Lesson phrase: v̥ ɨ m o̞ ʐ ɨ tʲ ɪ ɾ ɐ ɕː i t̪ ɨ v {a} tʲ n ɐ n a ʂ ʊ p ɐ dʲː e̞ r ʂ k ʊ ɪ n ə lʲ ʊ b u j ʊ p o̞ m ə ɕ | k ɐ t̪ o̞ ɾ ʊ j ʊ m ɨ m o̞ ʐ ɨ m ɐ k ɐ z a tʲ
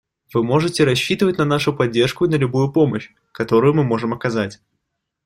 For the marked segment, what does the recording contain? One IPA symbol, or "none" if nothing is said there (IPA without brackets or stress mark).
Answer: ə